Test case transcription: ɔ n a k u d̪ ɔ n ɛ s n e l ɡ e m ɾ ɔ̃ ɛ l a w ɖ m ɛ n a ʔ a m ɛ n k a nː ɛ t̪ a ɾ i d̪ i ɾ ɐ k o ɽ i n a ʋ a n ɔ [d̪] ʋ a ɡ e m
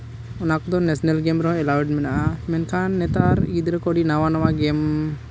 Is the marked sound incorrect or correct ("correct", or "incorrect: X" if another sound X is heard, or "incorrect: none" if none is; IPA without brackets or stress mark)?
incorrect: none